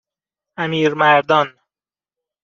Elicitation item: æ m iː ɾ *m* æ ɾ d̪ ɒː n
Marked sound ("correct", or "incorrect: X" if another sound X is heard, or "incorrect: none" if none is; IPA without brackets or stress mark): correct